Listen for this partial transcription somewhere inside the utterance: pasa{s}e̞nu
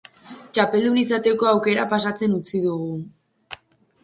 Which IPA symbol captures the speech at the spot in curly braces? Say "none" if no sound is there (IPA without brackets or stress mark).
t͡s